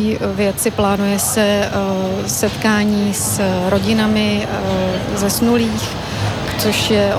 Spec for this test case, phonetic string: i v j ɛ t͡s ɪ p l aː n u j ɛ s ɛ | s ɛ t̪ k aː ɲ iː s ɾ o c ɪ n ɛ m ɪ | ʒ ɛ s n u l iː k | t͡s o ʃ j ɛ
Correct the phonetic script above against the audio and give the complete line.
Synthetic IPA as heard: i v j ɛ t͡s ɪ p l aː n u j ɛ s ɛ | s ɛ t̪ k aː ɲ iː s ɾ o ɟ ɪ n a m ɪ | z ɛ s n u l iː x | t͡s o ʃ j ɛ